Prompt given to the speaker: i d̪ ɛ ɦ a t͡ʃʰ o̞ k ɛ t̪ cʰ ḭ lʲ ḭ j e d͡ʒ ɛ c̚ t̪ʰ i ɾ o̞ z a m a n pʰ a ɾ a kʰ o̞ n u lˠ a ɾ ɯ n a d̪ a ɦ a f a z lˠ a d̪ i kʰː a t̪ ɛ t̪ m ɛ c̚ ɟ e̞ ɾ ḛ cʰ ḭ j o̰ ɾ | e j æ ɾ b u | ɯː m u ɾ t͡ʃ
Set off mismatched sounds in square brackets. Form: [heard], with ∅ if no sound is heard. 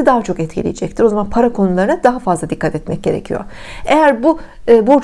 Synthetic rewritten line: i d̪ [a] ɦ a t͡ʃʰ o̞ k ɛ t̪ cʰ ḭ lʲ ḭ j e d͡ʒ ɛ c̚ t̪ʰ i ɾ o̞ z a m a n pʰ a ɾ a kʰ o̞ n u lˠ a ɾ ɯ n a d̪ a ɦ a f a z lˠ a d̪ i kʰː a t̪ ɛ t̪ m ɛ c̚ ɟ e̞ ɾ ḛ cʰ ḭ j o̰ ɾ | e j æ ɾ b u | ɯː [b] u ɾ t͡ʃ

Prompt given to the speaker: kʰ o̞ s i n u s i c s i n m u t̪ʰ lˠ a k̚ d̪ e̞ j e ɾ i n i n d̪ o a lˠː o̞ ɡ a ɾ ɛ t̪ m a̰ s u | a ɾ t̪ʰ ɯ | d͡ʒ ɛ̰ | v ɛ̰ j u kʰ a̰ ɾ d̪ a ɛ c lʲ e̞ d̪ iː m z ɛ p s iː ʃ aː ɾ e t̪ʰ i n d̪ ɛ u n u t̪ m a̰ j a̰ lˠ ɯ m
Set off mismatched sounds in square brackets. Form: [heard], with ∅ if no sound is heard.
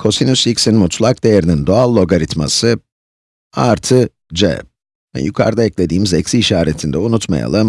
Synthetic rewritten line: kʰ o̞ s i n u s i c s i n m u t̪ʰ lˠ a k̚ d̪ e̞ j e ɾ i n i n d̪ o a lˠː o̞ ɡ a ɾ [i] t̪ m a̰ s [ɯ] | a ɾ t̪ʰ ɯ | d͡ʒ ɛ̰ | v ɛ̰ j u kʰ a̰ ɾ d̪ a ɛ c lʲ e̞ d̪ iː m z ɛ [c] s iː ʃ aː ɾ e t̪ʰ i n d̪ ɛ u n u t̪ m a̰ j a̰ lˠ ɯ m

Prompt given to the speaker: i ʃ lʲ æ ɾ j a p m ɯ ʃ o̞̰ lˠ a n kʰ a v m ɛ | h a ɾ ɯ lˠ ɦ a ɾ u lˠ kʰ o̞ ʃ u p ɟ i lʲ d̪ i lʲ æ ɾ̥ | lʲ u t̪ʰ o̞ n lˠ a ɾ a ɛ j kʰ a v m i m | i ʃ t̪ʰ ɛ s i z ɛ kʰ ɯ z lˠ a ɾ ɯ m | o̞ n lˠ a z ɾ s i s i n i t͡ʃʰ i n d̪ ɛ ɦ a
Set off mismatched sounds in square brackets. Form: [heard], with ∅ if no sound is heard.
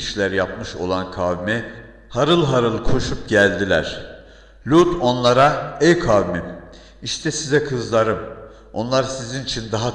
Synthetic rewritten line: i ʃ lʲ æ ɾ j a p m ɯ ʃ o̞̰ lˠ a n kʰ a v m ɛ | h a ɾ ɯ lˠ ɦ a ɾ [ɯ] lˠ kʰ o̞ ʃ u p ɟ [æ] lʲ d̪ i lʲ æ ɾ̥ | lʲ u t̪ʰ o̞ n lˠ a ɾ a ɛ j kʰ a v m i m | i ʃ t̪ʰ ɛ s i z ɛ kʰ ɯ z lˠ a ɾ ɯ m | o̞ n lˠ a [∅] ɾ s i [z] i n i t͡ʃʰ i n d̪ [a] ɦ a

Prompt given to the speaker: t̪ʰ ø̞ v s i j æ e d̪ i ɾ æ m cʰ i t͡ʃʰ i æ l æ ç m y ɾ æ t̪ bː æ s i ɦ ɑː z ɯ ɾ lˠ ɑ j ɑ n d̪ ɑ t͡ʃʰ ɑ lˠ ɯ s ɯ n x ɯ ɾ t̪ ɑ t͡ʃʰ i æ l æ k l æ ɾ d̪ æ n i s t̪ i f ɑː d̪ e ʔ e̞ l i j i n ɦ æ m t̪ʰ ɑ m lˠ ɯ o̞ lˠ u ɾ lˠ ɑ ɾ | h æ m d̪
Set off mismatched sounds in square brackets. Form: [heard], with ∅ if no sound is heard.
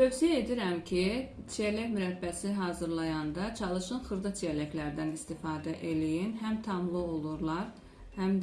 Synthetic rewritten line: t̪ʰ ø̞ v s i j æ e d̪ i ɾ æ m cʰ i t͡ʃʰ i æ l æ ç m y ɾ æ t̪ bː æ s i ɦ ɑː z ɯ ɾ lˠ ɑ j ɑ n d̪ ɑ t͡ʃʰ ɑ lˠ ɯ [ʃ] ɯ n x ɯ ɾ [d̪] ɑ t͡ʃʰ i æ l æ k l æ ɾ d̪ æ n i s t̪ i f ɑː d̪ [æ] ʔ e̞ l i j i n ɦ æ m t̪ʰ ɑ m lˠ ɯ o̞ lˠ u ɾ lˠ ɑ ɾ | h æ m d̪

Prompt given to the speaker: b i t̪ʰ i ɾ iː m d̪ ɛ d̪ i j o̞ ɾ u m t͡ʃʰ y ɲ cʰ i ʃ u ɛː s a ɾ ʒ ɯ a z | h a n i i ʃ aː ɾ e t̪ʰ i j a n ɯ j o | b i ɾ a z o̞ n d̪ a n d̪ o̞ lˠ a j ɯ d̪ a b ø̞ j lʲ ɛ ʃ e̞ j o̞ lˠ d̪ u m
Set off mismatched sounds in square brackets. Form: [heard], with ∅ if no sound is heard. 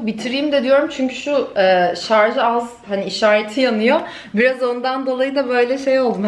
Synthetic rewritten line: b i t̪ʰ i ɾ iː m d̪ ɛ d̪ i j o̞ ɾ u m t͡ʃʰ y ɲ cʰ [y] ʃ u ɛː [ʃ] a ɾ ʒ ɯ a z | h a n i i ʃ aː ɾ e t̪ʰ i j a n ɯ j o | b i ɾ a z o̞ n d̪ a n d̪ o̞ lˠ a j ɯ d̪ a b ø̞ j lʲ ɛ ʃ e̞ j o̞ lˠ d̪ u m

